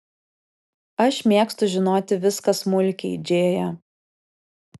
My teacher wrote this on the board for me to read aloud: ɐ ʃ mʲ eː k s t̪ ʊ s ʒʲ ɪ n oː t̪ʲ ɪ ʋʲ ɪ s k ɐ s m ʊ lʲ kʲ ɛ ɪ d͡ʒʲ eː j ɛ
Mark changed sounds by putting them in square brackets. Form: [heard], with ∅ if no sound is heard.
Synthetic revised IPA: ɐ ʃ mʲ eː k s t̪ ʊ [∅] ʒʲ ɪ n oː t̪ʲ ɪ ʋʲ ɪ s k ɐ s m ʊ lʲ kʲ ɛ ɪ d͡ʒʲ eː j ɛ